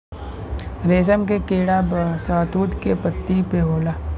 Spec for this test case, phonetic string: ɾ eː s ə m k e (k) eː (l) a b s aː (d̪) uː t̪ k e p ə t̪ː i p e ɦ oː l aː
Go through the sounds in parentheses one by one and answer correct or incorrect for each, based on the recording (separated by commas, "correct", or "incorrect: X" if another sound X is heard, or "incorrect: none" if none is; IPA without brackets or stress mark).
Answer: correct, incorrect: ɽ, incorrect: t̪